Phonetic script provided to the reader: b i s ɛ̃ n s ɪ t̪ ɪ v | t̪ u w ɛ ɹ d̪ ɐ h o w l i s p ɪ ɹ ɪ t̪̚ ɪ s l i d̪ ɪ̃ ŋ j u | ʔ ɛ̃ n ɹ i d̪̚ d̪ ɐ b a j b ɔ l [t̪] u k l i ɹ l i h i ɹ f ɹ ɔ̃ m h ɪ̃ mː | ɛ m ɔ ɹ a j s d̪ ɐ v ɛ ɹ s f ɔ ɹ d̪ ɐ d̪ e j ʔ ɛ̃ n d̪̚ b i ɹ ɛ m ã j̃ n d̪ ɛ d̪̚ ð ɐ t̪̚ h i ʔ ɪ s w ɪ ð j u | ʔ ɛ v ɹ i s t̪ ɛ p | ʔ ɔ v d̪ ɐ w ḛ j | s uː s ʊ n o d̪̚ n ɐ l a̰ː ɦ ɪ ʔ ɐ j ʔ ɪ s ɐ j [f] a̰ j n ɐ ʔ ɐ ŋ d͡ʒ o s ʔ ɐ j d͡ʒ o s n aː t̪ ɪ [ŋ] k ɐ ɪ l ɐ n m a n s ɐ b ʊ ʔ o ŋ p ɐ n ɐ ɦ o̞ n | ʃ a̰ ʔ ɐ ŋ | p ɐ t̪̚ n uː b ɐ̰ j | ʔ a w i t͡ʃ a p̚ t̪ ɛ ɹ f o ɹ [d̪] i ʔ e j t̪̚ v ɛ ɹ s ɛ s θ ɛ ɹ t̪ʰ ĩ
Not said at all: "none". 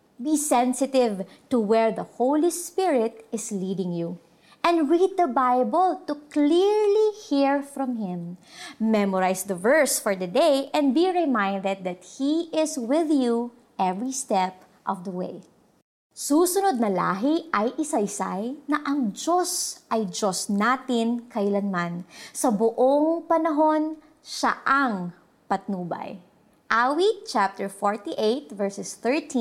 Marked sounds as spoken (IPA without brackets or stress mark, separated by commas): t̪, s, n, t̪